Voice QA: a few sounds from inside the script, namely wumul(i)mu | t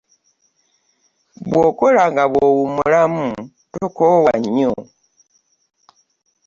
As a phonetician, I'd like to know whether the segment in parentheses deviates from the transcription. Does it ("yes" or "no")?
yes